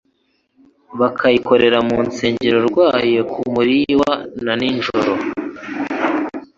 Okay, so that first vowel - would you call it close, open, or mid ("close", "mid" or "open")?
open